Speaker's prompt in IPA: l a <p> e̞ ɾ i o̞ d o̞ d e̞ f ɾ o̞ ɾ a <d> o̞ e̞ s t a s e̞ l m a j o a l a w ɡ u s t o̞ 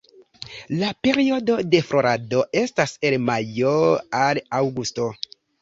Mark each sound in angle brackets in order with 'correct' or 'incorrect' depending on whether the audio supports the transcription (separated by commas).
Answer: correct, correct